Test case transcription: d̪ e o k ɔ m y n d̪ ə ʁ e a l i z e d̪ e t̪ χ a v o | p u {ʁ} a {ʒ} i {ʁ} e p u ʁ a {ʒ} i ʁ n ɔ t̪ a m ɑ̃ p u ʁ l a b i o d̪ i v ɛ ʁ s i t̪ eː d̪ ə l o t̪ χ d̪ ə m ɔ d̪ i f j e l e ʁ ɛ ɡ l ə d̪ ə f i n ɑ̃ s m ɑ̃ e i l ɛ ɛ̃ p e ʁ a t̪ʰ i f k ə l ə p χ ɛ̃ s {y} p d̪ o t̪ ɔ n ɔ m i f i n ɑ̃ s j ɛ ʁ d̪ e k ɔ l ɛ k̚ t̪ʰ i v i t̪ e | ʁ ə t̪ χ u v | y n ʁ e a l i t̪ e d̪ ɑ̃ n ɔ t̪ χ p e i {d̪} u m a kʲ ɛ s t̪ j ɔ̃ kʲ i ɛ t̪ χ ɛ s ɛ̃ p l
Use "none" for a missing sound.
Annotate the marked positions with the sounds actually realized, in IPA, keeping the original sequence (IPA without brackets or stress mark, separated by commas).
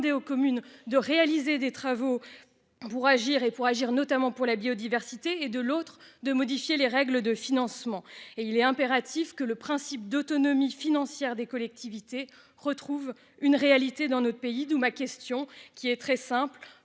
ʁ, ʒ, ʁ, ʒ, i, d̪